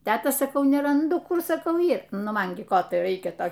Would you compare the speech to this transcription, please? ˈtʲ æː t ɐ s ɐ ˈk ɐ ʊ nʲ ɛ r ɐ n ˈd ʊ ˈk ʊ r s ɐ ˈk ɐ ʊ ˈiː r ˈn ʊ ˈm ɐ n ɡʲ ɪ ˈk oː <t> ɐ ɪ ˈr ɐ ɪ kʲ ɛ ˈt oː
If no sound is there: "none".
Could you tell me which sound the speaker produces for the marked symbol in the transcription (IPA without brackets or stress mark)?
t